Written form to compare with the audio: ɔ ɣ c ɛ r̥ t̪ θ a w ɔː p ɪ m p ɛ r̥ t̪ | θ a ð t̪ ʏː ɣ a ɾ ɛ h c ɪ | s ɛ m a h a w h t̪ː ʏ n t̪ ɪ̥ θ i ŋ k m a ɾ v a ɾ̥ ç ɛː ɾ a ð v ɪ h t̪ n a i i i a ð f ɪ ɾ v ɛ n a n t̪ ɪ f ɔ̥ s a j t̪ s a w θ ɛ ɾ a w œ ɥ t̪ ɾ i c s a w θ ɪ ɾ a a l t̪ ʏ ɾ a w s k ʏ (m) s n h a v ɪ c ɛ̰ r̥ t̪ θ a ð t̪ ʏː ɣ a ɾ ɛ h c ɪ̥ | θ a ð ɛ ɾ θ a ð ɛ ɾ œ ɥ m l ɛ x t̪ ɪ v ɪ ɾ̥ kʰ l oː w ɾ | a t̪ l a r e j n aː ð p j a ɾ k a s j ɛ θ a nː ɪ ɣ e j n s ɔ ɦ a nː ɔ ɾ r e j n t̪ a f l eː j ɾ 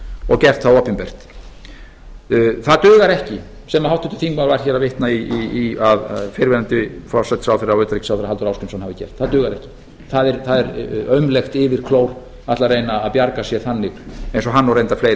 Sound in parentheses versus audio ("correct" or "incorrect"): incorrect